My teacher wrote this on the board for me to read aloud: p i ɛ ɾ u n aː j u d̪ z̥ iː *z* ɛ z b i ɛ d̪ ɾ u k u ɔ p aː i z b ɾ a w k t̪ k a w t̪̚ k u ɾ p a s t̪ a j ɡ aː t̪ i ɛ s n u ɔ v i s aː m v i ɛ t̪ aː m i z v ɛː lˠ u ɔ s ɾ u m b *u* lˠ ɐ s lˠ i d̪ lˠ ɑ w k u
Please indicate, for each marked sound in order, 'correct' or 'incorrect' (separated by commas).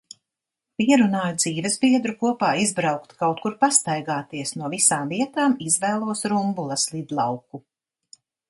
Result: incorrect, correct